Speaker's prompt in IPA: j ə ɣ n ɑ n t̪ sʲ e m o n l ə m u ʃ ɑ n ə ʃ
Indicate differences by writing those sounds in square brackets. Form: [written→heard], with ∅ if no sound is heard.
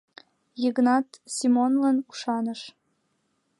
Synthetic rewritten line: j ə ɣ n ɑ [n→∅] t̪ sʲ [e→i] m o n l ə [m→n] u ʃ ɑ n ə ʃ

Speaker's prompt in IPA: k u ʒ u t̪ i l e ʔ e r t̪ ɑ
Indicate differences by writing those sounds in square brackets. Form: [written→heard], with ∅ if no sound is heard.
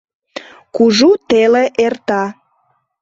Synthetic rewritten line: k u ʒ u t̪ [i→e] l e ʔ e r t̪ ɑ

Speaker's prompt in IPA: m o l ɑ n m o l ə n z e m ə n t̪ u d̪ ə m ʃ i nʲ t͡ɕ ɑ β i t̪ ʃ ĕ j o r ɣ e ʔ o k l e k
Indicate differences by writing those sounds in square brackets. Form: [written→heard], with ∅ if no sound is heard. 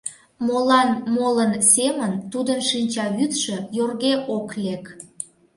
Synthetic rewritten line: m o l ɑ n m o l ə n [z→s] e m ə n t̪ u d̪ ə [m→n] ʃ i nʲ t͡ɕ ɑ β [i→y] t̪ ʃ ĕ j o r ɣ e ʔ o k l e k

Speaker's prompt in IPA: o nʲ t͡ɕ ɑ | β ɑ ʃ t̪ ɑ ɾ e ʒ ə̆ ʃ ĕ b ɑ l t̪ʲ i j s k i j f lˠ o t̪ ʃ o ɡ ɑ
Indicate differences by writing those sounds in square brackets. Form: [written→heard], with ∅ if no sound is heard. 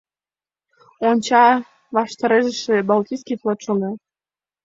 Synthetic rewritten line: o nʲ t͡ɕ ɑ | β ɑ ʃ t̪ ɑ ɾ e ʒ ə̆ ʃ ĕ b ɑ l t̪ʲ i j s k i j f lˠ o t̪ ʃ o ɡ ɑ

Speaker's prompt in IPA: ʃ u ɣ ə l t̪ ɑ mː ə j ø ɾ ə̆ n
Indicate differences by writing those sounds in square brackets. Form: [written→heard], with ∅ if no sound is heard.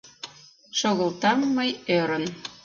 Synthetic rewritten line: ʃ [u→o] ɣ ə l t̪ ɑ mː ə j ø ɾ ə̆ n

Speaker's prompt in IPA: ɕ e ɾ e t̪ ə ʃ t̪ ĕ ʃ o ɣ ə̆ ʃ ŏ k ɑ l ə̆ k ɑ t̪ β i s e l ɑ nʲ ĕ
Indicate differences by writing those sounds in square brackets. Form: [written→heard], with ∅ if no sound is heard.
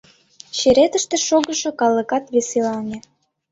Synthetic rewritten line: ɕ e ɾ e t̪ ə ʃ t̪ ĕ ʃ o ɣ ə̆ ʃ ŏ k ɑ l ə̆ k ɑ t̪ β [i→e] s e l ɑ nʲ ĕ

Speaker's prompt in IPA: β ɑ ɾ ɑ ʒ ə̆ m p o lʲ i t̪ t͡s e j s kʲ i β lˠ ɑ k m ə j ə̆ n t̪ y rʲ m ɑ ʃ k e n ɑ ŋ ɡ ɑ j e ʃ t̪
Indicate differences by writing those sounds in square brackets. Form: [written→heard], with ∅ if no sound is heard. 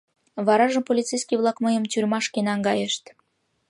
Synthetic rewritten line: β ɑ ɾ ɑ ʒ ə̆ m p o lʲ i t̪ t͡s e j s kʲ i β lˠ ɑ k m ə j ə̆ [n→m] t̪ y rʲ m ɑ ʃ k e n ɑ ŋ ɡ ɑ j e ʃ t̪

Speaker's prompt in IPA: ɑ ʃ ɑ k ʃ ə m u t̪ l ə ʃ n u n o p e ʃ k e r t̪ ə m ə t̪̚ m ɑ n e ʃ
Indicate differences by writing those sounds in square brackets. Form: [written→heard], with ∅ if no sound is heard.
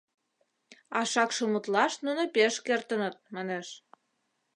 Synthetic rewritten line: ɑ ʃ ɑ k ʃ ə m u t̪ l [ə→ɑ] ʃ n u n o p e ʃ k e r t̪ ə [m→n] ə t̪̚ m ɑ n e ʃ

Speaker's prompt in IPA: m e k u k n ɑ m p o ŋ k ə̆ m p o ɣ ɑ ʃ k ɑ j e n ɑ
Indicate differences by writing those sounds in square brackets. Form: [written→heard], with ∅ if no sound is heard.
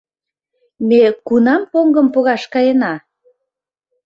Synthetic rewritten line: m e k u [k→∅] n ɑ m p o ŋ [k→ɡ] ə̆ m p o ɣ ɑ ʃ k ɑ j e n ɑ

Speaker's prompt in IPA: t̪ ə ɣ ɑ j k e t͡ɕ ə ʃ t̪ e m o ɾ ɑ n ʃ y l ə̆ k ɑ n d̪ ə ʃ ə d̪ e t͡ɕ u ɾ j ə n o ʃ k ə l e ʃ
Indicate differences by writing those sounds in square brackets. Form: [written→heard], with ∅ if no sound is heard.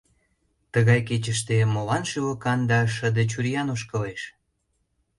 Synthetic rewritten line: t̪ ə ɣ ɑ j k e t͡ɕ ə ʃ t̪ e m o [ɾ→l] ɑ n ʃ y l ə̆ k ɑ n d̪ [ə→ɑ] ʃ ə d̪ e t͡ɕ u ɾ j [ə→ɑ] n o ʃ k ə l e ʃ

